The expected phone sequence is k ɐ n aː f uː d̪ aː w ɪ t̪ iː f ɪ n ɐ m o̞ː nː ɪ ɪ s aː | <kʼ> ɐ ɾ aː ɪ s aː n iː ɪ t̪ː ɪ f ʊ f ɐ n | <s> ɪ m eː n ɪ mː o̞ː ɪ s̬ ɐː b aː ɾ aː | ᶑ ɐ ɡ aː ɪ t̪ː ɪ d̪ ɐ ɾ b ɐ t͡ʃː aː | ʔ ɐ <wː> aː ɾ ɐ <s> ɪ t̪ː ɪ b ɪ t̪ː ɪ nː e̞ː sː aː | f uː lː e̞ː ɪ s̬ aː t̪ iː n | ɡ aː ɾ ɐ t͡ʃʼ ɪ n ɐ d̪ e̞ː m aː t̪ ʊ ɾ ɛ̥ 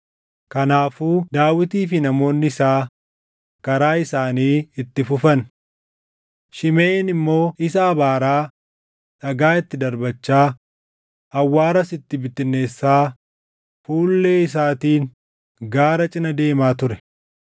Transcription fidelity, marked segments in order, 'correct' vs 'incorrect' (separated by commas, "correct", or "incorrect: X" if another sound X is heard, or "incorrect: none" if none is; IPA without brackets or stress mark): incorrect: k, incorrect: ʃ, correct, correct